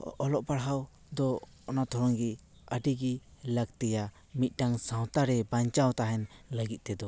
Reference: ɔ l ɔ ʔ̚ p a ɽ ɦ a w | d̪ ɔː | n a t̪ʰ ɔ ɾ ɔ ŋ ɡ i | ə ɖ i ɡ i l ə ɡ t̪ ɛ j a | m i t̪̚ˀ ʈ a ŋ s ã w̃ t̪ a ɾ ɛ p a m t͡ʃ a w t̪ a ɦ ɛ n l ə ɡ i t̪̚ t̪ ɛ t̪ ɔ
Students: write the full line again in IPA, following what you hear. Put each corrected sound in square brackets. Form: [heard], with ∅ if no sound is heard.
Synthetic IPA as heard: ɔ l ɔ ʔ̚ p a ɽ ɦ a w | d̪ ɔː | n a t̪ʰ ɔ ɾ ɔ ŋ ɡ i | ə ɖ i ɡ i l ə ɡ t̪ ɛ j a | m i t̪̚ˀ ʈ a ŋ s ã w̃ t̪ a ɾ ɛ [b] a [ɲ] t͡ʃ a w t̪ a ɦ ɛ n l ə ɡ i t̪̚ t̪ ɛ [d̪] ɔ